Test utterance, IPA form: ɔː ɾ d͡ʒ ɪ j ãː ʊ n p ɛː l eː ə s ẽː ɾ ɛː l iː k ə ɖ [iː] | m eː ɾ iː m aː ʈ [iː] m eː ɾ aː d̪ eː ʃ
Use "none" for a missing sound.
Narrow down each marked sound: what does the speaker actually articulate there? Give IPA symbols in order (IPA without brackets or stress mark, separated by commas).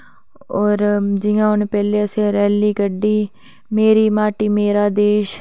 iː, iː